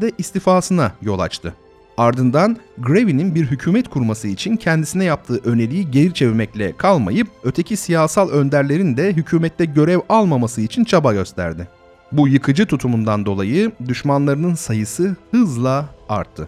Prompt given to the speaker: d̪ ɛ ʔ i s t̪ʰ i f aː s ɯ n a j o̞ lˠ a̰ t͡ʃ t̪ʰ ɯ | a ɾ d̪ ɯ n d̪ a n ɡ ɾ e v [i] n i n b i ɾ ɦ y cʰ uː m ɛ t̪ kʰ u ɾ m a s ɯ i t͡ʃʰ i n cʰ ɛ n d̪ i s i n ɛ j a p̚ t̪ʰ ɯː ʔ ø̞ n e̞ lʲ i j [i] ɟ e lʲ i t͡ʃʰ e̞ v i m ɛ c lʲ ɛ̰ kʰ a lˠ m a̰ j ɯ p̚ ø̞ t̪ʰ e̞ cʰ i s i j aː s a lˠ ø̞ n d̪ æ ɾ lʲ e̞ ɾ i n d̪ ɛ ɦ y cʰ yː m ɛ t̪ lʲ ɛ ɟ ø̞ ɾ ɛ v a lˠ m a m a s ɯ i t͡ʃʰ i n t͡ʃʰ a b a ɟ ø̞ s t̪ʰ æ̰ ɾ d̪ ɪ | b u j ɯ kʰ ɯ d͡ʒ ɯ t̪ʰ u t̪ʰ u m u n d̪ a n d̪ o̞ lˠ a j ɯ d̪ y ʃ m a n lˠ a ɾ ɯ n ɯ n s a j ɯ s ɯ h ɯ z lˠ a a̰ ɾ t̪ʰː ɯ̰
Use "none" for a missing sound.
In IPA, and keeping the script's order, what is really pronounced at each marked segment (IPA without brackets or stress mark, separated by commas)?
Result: i, i